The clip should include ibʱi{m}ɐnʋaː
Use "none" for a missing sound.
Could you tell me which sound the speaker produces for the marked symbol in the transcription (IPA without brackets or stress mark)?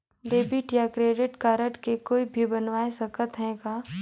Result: b